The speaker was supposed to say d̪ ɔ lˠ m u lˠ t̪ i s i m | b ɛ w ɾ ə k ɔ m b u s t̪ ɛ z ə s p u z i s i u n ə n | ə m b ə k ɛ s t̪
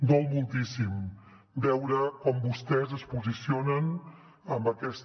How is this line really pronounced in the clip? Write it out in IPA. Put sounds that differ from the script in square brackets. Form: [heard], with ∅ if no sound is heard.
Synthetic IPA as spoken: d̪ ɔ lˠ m u lˠ t̪ i s i m | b ɛ w ɾ ə k ɔ m b u s t̪ ɛ z ə s p u z i s i [o] n ə n | ə m b ə k ɛ s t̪